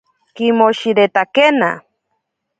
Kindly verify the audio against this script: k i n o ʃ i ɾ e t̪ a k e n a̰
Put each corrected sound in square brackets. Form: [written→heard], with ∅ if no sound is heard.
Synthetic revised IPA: k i [n→m] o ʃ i ɾ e t̪ a k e n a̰